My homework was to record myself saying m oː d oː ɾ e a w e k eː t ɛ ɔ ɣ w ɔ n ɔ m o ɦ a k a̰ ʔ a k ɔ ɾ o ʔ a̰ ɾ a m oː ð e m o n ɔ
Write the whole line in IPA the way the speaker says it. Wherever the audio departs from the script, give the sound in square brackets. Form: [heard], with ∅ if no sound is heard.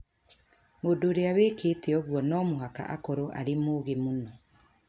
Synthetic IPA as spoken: m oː d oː ɾ e a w e k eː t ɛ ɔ ɣ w ɔ n ɔ m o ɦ a k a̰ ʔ a k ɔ ɾ o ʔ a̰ ɾ [e] m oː [ɣ] e m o n ɔ